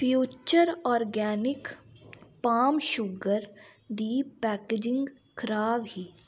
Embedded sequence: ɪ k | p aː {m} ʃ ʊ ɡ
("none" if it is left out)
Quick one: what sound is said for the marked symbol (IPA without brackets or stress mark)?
m